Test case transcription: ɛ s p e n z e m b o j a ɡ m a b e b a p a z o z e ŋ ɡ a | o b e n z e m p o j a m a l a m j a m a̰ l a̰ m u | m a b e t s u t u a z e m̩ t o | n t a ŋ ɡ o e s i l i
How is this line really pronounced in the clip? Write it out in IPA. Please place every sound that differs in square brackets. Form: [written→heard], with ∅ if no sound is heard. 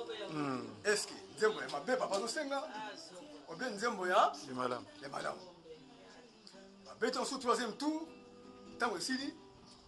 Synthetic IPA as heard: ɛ s [p→k] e n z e m b o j a [ɡ→∅] m a b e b a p a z o [z→s] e ŋ ɡ a | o b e n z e m [p→b] o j a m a l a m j a m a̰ l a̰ m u | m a b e t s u t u a z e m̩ t [o→u] | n t a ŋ ɡ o e s i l i